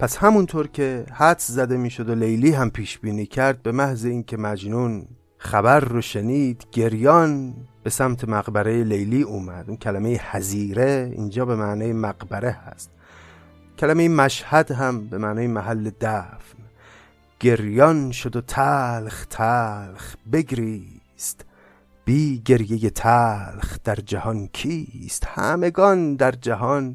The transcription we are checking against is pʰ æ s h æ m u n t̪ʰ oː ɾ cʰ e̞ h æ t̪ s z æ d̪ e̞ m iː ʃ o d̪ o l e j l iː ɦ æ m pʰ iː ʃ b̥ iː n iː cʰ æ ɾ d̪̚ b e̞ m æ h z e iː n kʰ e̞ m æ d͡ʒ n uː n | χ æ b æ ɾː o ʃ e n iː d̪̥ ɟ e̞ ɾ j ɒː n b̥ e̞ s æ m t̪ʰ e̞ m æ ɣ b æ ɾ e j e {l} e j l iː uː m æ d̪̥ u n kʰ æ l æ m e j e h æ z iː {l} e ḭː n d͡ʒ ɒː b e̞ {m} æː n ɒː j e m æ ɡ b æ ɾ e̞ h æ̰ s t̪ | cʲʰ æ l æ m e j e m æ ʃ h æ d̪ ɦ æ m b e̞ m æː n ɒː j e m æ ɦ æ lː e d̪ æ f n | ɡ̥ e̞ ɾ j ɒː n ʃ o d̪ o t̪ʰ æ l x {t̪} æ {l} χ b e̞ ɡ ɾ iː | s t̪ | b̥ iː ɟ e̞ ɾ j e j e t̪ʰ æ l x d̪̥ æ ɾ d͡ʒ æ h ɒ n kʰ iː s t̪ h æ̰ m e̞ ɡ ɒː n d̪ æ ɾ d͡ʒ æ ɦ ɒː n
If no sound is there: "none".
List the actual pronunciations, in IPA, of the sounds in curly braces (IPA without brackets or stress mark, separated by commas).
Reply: l, ɾ, m, t̪ʰ, l